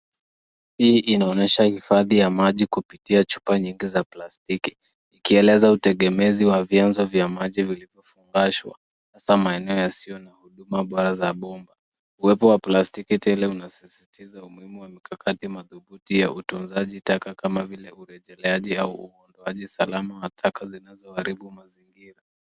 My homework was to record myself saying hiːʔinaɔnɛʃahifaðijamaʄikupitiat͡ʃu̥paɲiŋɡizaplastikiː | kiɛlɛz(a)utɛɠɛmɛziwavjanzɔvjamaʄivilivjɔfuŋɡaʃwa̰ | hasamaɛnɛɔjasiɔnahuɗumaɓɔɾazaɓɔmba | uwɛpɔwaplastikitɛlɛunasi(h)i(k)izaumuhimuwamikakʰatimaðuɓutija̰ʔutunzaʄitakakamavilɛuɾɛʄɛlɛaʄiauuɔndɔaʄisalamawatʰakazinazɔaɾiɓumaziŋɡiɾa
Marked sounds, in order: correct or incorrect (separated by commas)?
correct, incorrect, incorrect